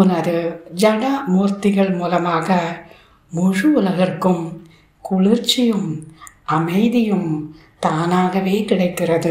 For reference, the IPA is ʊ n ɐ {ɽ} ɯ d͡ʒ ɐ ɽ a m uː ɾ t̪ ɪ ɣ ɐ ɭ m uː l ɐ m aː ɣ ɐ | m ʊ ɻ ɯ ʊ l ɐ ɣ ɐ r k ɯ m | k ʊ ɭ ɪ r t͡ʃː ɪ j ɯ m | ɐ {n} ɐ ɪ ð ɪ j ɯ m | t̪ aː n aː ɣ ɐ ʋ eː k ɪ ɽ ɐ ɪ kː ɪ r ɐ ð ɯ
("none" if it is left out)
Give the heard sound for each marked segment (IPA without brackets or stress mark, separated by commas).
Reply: ɾ, m